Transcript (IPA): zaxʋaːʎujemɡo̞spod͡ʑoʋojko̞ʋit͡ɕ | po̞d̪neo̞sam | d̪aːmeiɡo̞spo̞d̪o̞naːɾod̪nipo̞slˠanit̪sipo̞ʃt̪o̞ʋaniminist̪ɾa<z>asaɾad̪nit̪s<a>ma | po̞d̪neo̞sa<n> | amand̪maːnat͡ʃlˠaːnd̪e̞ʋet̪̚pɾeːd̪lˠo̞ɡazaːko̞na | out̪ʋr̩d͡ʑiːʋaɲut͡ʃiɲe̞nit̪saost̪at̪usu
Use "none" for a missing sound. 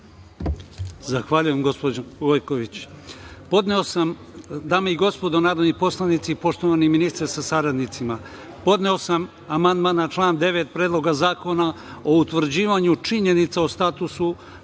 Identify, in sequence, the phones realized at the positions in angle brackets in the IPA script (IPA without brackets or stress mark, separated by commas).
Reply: s, i, m